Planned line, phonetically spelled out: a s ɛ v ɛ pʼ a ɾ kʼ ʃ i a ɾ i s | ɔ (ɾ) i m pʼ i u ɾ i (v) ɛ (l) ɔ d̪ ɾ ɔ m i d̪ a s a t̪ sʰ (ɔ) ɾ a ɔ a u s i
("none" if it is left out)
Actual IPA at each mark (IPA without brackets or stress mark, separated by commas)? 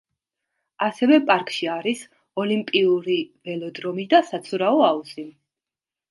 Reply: l, v, l, u